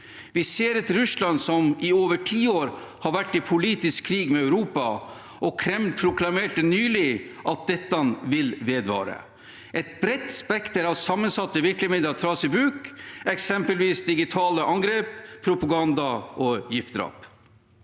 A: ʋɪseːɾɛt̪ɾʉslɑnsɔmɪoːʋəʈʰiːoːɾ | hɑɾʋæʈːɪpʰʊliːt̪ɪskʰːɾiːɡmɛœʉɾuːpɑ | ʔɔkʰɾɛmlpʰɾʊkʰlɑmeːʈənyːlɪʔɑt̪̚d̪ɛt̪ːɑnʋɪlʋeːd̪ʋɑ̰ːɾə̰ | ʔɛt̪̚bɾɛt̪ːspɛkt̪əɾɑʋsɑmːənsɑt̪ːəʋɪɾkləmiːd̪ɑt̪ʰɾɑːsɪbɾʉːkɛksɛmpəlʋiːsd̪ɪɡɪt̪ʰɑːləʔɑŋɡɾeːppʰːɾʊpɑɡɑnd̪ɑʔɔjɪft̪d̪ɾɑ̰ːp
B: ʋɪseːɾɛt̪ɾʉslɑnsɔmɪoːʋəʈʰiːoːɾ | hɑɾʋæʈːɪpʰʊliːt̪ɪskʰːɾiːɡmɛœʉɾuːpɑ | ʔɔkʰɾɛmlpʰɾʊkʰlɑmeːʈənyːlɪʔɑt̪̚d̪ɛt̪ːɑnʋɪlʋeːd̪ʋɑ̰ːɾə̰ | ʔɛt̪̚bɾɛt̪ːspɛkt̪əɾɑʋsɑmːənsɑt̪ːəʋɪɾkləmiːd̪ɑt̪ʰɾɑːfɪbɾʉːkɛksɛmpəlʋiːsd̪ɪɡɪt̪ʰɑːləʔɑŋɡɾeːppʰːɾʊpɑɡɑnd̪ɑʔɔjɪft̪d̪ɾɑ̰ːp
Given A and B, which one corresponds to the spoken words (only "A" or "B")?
A